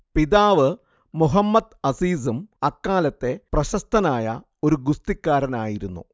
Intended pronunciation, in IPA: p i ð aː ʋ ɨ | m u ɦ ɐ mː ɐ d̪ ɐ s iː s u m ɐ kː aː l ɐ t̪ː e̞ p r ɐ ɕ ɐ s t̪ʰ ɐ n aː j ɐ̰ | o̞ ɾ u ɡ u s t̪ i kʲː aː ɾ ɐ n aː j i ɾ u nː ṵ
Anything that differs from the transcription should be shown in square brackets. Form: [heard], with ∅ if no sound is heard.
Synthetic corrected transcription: p i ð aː ʋ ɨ | m u ɦ ɐ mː ɐ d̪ ɐ s iː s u m ɐ kː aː l ɐ t̪ː e̞ p r ɐ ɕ ɐ s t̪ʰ ɐ n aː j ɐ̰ | o̞ ɾ u ɡ u s t̪ i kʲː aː ɾ ɐ n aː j i ɾ u nː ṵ